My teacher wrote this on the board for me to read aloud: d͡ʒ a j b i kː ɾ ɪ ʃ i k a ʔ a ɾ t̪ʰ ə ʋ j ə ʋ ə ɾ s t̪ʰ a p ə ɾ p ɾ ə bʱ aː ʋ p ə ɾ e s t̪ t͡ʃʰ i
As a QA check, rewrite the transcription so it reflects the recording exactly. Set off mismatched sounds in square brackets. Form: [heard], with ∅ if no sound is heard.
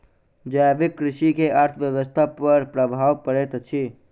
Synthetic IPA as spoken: d͡ʒ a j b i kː ɾ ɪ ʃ i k [e] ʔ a ɾ t̪ʰ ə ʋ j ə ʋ ə [∅] s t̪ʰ a p ə ɾ p ɾ ə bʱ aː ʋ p ə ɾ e [∅] t̪ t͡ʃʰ i